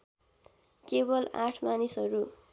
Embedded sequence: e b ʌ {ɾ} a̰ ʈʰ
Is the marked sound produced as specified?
no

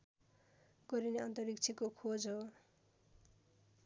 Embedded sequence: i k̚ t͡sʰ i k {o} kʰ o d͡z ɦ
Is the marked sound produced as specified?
yes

